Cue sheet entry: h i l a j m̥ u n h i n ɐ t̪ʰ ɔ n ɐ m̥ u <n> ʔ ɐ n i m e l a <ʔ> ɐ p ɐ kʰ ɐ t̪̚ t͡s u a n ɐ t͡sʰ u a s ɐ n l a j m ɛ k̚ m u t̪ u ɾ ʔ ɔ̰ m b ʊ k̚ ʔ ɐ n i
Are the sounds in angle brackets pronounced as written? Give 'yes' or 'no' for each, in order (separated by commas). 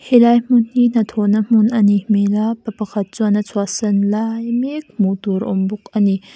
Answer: yes, no